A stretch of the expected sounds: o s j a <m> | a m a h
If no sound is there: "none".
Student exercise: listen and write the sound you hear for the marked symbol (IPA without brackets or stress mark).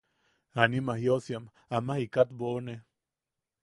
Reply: m